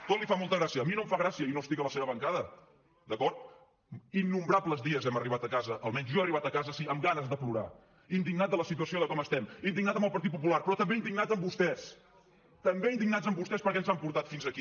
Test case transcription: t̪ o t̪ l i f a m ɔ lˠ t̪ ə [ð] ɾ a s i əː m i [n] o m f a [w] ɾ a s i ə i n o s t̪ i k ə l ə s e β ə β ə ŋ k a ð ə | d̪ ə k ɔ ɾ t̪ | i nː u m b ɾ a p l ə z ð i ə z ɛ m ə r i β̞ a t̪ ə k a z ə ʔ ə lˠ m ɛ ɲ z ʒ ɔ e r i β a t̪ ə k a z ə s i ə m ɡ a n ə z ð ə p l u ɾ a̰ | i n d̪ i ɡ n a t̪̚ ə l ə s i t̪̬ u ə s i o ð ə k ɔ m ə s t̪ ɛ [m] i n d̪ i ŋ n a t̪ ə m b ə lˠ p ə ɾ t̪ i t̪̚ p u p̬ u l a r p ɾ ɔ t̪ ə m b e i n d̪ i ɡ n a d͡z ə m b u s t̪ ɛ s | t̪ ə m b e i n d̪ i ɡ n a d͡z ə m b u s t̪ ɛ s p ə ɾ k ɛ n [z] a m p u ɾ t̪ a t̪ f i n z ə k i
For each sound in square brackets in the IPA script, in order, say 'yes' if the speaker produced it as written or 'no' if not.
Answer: no, yes, no, yes, yes

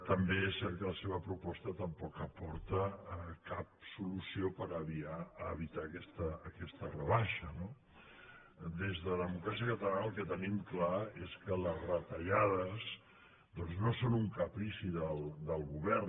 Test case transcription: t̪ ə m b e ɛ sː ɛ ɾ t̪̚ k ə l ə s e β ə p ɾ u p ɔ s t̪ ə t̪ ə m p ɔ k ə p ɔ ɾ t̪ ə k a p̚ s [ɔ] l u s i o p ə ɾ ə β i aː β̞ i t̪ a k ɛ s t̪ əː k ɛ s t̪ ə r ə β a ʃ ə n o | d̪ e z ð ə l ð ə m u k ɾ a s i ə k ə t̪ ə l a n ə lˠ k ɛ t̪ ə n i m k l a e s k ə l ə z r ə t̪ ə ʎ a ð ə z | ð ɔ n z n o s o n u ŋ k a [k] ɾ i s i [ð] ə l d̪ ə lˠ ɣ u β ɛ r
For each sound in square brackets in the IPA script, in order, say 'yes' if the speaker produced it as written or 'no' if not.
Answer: no, no, yes

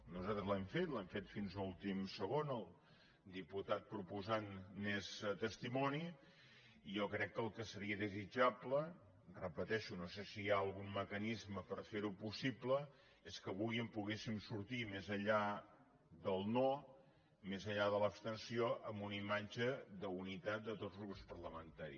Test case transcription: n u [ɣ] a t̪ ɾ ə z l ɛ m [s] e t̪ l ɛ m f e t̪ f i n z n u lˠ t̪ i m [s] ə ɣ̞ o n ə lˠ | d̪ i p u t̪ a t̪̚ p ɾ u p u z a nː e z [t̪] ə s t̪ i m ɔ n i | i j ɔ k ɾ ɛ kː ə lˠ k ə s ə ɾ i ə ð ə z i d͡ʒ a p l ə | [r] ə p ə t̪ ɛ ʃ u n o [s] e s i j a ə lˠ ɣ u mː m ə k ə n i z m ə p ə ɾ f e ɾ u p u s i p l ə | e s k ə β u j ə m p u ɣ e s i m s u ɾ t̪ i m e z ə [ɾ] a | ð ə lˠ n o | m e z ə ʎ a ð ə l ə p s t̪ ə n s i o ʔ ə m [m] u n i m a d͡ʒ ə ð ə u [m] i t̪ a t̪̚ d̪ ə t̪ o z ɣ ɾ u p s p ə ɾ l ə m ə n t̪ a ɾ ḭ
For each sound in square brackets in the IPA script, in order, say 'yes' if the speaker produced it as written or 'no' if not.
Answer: no, no, yes, yes, yes, yes, no, no, no

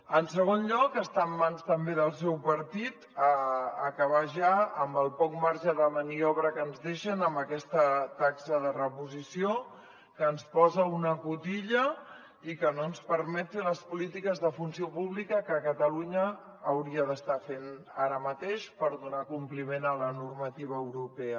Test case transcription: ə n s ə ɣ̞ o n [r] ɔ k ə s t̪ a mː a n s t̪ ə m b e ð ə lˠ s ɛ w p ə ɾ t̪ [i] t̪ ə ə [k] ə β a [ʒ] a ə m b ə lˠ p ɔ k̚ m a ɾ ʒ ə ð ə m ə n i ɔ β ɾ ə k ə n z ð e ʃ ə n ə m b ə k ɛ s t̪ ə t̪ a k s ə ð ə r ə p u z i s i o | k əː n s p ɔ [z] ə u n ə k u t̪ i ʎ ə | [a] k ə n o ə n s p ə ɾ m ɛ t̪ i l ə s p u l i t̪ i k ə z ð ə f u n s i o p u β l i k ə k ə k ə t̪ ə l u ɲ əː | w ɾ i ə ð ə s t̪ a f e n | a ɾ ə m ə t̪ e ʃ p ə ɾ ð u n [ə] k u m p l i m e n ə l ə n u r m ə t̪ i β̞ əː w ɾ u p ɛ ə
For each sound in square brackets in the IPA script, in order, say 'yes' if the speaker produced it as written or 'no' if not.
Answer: no, yes, yes, yes, yes, no, no

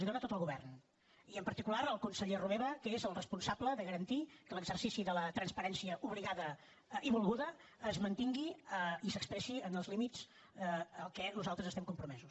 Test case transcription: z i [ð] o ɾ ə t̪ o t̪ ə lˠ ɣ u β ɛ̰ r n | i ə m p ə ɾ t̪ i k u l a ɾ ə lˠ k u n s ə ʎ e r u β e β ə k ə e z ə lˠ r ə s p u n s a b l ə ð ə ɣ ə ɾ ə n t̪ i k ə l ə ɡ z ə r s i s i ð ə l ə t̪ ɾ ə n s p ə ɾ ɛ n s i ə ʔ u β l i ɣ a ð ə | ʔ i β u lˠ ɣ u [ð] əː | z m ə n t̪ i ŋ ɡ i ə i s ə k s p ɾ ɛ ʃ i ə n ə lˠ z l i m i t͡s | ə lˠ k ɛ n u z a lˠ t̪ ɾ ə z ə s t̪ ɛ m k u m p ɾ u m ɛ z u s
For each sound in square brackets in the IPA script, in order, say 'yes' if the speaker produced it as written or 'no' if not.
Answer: yes, yes

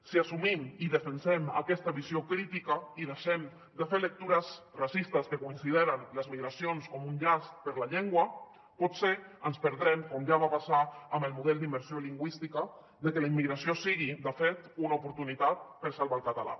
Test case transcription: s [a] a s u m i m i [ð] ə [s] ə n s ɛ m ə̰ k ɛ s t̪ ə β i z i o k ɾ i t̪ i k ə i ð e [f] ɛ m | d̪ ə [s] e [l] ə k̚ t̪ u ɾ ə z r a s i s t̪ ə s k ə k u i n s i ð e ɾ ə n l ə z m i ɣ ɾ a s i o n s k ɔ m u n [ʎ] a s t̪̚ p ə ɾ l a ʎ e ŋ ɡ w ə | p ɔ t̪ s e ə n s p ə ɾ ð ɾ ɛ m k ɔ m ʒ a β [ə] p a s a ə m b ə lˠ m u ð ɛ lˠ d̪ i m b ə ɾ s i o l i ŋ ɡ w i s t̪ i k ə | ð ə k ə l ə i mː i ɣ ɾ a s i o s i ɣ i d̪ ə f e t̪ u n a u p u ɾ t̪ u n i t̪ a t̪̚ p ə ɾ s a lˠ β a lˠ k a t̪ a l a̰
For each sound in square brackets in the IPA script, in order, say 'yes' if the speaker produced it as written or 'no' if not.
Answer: no, yes, no, no, no, yes, yes, no

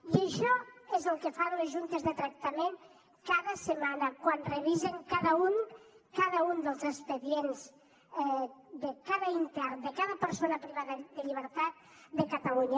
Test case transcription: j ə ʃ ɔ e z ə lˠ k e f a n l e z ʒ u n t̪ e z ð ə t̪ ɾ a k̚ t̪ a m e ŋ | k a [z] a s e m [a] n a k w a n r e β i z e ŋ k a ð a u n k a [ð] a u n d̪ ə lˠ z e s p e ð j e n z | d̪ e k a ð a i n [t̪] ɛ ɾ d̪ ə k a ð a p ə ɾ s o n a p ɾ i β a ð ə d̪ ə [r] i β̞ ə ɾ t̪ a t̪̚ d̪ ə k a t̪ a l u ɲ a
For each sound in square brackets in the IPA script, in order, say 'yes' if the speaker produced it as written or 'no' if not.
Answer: no, yes, yes, yes, no

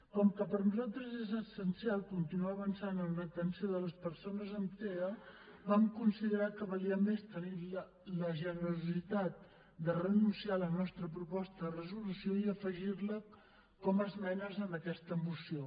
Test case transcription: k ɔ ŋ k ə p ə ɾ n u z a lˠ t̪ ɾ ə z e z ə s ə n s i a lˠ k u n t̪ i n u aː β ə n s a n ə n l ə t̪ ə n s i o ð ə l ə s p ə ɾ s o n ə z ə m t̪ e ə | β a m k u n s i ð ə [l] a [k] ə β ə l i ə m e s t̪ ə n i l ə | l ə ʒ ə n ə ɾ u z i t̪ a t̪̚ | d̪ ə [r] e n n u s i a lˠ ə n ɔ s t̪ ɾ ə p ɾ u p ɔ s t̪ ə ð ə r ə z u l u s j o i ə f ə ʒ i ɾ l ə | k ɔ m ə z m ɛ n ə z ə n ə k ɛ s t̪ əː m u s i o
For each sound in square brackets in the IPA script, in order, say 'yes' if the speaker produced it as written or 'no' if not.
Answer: no, yes, yes

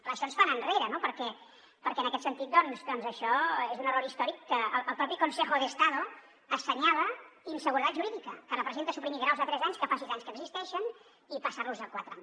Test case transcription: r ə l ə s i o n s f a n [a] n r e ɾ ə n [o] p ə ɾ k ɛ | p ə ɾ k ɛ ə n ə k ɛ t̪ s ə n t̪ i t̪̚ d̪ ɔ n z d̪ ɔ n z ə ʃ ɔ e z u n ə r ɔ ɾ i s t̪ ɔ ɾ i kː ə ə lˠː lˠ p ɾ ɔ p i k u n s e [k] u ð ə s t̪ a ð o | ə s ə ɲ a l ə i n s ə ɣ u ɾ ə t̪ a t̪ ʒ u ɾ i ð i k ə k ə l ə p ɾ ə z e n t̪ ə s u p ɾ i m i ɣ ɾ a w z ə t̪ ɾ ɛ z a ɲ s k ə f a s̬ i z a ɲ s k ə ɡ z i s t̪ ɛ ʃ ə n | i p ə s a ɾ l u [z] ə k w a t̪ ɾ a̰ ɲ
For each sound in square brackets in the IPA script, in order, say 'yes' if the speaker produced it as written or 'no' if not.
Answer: no, yes, no, yes

